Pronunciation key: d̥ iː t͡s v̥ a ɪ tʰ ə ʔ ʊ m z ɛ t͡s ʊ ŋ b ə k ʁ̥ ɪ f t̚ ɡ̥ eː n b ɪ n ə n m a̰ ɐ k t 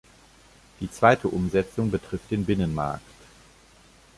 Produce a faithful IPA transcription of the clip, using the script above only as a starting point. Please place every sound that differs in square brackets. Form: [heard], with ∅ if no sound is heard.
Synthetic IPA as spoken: d̥ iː t͡s v̥ a ɪ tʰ ə ʔ ʊ m z ɛ t͡s ʊ ŋ b ə [t] ʁ̥ ɪ f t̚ [d̥] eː n b ɪ n ə n m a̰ ɐ k t

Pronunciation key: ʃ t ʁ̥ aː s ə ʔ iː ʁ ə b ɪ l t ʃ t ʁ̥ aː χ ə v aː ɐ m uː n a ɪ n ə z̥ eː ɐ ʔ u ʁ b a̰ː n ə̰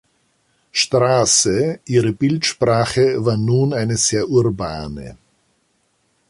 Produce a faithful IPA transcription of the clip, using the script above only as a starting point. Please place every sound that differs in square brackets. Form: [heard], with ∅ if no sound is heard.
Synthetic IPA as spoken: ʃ t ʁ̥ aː s ə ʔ iː ʁ ə b ɪ l t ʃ [p] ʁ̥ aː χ ə v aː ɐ [n] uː n a ɪ n ə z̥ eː ɐ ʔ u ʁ b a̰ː n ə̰

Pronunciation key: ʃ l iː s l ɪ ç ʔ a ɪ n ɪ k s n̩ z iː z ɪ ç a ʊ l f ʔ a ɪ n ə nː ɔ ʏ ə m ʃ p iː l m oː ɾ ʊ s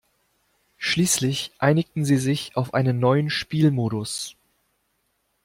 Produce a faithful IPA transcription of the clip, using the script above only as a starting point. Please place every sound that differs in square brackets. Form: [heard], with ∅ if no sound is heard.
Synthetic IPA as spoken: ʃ l iː s l ɪ ç ʔ a ɪ n ɪ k [t] n̩ z iː z ɪ ç a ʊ [∅] f ʔ a ɪ n ə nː ɔ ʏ ə [n] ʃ p iː l m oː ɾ ʊ s

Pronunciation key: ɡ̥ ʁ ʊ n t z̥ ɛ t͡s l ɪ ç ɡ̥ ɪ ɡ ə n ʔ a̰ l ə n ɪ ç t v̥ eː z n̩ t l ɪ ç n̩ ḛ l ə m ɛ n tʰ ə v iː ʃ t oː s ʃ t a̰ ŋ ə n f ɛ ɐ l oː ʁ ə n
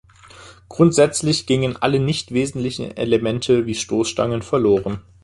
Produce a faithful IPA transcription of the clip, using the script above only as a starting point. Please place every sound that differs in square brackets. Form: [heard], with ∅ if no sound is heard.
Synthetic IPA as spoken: ɡ̥ ʁ ʊ n t z̥ ɛ t͡s l ɪ ç ɡ̥ ɪ [ŋ] ə n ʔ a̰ l ə n ɪ ç t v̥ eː z n̩ t l ɪ ç n̩ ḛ l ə m ɛ n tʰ ə v iː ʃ t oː s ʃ t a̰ ŋ ə n f ɛ ɐ l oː ʁ ə n

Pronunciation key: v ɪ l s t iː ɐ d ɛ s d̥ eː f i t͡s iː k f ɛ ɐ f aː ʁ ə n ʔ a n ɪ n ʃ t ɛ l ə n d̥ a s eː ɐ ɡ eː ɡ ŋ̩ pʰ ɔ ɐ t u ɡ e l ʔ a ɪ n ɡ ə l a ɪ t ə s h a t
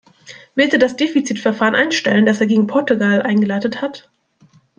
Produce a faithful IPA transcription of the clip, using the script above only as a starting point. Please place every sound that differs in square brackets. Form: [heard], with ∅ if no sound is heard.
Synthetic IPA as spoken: v ɪ l s t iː ɐ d [a] s d̥ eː f i t͡s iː [t] f ɛ ɐ f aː ʁ ə n ʔ a [∅] ɪ n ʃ t ɛ l ə n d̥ a s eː ɐ ɡ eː ɡ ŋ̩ pʰ ɔ ɐ t u ɡ [a] l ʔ a ɪ n ɡ ə l a ɪ t ə [t] h a t

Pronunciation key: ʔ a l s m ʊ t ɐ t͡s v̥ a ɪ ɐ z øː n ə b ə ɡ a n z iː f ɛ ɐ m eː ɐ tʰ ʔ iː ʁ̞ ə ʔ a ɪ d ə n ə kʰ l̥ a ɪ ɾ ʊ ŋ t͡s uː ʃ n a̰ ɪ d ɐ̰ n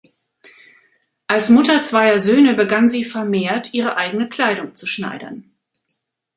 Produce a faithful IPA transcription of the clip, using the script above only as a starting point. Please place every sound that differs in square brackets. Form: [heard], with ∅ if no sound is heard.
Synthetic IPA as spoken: ʔ a l s m ʊ t ɐ t͡s v̥ a ɪ ɐ z øː n ə b ə ɡ a n z iː f ɛ ɐ m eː ɐ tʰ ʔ iː ʁ̞ ə ʔ a ɪ [ɡ] ə n ə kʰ l̥ a ɪ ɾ ʊ ŋ t͡s [u] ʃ n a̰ ɪ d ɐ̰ n

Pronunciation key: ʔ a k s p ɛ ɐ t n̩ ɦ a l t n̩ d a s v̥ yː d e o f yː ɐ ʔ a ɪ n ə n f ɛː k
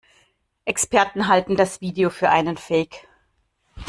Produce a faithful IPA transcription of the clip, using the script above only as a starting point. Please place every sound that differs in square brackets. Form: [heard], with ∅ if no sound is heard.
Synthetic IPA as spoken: ʔ [ɛ] k s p ɛ ɐ t n̩ ɦ a l t n̩ d a s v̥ [iː] d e o f yː ɐ ʔ a ɪ n ə n f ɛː k

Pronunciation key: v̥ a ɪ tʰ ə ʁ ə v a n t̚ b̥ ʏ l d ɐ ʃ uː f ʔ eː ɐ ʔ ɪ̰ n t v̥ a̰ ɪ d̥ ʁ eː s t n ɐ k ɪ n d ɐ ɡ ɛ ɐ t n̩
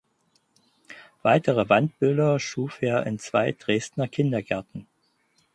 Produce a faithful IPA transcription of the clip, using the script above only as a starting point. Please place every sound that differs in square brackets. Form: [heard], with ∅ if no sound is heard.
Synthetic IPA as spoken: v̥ a ɪ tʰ ə ʁ ə v a n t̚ b̥ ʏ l d ɐ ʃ uː f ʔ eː ɐ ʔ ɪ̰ n [t͡s] v̥ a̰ ɪ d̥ ʁ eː s t n ɐ [kʰ] ɪ n d ɐ ɡ ɛ ɐ t n̩

